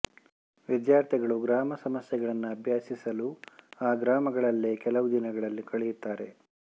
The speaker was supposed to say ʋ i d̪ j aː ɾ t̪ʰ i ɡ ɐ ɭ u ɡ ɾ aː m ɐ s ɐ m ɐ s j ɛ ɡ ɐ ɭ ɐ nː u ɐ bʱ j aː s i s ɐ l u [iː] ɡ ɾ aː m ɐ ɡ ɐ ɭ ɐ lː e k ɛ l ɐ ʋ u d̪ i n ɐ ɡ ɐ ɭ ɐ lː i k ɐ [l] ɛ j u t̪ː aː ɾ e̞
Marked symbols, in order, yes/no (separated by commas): no, no